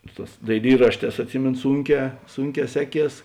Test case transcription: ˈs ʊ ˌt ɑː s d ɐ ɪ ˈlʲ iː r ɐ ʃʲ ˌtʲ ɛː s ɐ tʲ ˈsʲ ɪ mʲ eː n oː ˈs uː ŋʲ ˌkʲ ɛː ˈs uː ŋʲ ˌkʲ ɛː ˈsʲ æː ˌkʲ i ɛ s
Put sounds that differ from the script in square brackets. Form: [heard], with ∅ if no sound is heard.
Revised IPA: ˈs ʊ ˌt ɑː s d ɐ ɪ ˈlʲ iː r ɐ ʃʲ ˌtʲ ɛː s ɐ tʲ ˈsʲ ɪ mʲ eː n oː ˈs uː ŋʲ ˌkʲ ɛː ˈs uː ŋʲ ˌkʲ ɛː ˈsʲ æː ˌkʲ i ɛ s

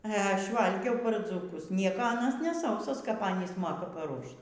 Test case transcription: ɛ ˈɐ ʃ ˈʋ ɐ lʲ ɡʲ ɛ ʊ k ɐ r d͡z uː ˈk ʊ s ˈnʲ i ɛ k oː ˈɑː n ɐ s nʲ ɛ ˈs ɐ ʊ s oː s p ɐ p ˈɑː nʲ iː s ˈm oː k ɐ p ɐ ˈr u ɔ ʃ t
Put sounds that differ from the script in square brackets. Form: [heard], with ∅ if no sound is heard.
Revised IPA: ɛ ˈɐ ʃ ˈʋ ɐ lʲ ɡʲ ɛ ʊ [p] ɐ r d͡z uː ˈk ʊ s ˈnʲ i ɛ k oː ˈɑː n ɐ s nʲ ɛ ˈs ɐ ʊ s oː s [k] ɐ p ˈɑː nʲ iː s ˈm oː k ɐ p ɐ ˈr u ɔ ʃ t

